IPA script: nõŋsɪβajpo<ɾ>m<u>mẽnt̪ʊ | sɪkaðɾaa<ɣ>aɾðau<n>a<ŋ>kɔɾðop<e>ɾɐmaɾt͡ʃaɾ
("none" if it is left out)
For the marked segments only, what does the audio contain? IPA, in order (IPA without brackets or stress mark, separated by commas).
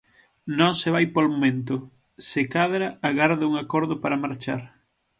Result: l, o, ɣ, ŋ, none, a